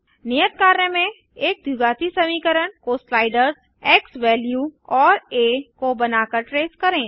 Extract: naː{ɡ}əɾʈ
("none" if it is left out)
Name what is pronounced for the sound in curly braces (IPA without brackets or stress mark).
k